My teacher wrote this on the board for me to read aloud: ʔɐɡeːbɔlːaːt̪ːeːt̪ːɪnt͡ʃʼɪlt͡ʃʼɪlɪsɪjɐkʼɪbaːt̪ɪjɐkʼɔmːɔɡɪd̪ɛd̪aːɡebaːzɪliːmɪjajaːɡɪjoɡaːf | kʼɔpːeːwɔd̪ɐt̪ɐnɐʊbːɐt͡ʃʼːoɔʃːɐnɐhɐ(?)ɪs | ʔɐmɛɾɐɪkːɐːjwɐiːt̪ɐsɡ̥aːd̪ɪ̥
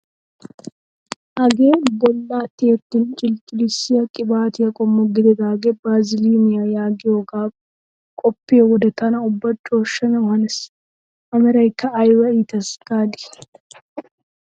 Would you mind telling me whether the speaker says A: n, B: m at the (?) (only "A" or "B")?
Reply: A